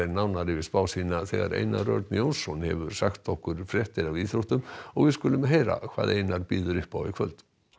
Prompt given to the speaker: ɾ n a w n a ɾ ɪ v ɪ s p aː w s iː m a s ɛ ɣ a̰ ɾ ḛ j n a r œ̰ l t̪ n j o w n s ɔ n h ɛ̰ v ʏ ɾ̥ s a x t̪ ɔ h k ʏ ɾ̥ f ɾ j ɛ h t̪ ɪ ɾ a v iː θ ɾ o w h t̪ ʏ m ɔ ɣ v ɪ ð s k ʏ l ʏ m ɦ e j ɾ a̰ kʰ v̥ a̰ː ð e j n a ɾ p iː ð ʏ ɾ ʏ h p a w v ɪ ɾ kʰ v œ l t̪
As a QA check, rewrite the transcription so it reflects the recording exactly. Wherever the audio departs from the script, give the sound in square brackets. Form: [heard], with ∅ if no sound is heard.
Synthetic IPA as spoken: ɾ n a w n a ɾ ɪ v ɪ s p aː w s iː [n] a [θ] ɛ ɣ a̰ ɾ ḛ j n a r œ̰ [ɾ] t̪ n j o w n s ɔ n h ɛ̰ v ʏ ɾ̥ s a x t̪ ɔ h k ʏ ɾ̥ f ɾ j ɛ h t̪ ɪ ɾ a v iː θ ɾ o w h t̪ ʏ m ɔ ɣ v ɪ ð s k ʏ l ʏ m ɦ e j ɾ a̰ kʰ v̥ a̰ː ð e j n a ɾ p iː ð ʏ ɾ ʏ h p a w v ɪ [∅] kʰ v œ l t̪